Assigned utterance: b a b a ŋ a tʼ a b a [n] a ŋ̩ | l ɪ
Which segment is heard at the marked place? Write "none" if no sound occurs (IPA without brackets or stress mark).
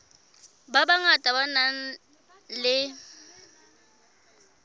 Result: n